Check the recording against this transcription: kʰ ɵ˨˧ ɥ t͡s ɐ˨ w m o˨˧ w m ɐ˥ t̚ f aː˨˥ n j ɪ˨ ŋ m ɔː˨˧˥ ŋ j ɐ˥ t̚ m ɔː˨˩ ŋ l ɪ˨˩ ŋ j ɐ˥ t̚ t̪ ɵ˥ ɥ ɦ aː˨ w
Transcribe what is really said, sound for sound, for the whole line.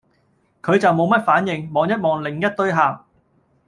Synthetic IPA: kʰ ɵ˨˧ ɥ t͡s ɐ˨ w m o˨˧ w m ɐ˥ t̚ f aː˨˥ n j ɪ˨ ŋ m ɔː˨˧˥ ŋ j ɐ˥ t̚ m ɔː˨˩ ŋ l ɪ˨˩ ŋ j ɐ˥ t̚ t̪ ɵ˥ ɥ ɦ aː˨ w

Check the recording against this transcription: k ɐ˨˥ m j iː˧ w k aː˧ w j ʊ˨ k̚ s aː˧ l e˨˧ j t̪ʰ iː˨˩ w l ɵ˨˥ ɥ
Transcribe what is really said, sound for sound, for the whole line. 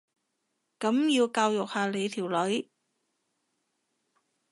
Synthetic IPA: k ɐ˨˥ m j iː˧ w k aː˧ w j ʊ˨ k̚ h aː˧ l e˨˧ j t̪ʰ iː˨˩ w l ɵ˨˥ ɥ

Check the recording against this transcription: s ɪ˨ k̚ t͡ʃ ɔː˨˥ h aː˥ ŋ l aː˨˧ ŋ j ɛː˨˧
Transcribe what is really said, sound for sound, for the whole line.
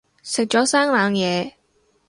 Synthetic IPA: s ɪ˨ k̚ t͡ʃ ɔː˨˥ s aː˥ ŋ l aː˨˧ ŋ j ɛː˨˧

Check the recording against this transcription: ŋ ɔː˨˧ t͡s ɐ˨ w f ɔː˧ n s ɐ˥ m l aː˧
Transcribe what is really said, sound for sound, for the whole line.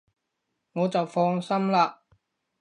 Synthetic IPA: ŋ ɔː˨˧ t͡s ɐ˨ w f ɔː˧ ŋ s ɐ˥ m l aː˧

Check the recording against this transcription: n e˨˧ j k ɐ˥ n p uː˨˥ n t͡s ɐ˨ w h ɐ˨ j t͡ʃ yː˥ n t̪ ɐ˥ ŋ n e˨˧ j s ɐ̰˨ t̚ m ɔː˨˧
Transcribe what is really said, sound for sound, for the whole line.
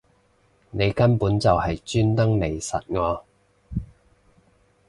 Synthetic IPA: n e˨˧ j k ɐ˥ n p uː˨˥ n t͡s ɐ˨ w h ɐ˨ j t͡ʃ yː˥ n t̪ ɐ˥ ŋ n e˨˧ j s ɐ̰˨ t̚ ŋ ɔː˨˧

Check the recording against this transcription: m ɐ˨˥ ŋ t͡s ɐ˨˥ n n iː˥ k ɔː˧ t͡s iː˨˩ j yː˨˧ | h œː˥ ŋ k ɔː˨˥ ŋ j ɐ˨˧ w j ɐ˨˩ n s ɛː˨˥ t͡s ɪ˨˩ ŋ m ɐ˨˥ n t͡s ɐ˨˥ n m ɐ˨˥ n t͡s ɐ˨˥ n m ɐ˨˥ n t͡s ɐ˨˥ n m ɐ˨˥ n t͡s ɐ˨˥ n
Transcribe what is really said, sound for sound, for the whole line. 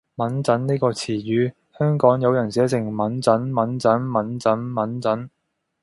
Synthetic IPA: m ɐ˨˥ n t͡s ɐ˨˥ n n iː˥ k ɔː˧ t͡sʰ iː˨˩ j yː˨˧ | h œː˥ ŋ k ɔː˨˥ ŋ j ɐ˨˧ w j ɐ˨˩ n s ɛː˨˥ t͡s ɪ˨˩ ŋ m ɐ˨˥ n t͡s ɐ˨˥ n m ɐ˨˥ n t͡s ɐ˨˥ n m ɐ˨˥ n t͡s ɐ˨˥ n m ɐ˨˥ n t͡s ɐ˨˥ n

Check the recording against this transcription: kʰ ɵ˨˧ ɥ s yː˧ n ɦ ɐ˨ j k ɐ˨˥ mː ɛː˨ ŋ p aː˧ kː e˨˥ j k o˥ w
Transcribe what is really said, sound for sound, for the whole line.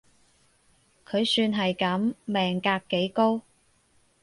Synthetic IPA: kʰ ɵ˨˧ ɥ s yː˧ n ɦ ɐ˨ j k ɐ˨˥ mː ɛː˨ ŋ k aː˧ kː e˨˥ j k o˥ w

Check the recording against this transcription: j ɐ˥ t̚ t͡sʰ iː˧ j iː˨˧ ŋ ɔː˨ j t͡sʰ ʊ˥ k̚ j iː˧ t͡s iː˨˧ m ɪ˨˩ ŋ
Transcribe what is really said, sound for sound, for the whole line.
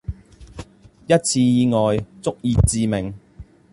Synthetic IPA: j ɐ˥ t̚ t͡sʰ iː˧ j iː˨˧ ŋ ɔː˨ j t͡s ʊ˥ k̚ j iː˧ t͡s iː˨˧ m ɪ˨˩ ŋ

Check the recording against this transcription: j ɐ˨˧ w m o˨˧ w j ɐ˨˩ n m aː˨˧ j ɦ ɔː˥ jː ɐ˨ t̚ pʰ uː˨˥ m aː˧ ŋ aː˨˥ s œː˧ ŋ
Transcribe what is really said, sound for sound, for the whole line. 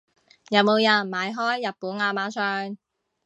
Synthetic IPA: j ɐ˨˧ w m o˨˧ w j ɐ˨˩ n m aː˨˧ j ɦ ɔː˥ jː ɐ˨ t̚ p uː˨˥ n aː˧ m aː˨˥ s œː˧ ŋ

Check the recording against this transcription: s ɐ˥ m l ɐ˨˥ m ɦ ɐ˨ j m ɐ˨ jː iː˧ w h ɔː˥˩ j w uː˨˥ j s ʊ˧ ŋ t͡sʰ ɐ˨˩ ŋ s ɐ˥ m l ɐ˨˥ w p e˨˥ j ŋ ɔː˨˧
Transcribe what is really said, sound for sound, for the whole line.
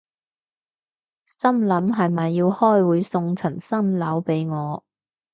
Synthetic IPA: s ɐ˥ m l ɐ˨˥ m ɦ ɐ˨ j m ɐ˨ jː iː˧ w h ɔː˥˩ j w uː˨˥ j s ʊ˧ ŋ t͡sʰ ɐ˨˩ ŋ s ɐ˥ m l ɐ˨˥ w p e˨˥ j ŋ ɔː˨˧

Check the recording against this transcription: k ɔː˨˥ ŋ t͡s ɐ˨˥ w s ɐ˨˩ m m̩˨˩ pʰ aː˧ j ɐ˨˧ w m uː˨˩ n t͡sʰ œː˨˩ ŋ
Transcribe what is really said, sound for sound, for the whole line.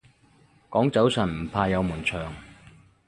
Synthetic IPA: k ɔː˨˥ ŋ t͡s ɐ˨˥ w s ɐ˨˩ n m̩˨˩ pʰ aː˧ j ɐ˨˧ w m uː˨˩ n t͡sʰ œː˨˩ ŋ

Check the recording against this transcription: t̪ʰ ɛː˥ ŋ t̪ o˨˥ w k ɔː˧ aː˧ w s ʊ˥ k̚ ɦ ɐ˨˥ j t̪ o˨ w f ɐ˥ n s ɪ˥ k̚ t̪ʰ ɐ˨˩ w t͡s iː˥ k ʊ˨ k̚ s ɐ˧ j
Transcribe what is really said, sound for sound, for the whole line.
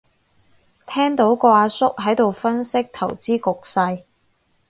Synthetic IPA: t̪ʰ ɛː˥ ŋ t̪ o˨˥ w k ɔː˧ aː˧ s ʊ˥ k̚ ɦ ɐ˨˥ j t̪ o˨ w f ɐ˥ n s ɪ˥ k̚ t̪ʰ ɐ˨˩ w t͡s iː˥ k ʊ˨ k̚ s ɐ˧ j

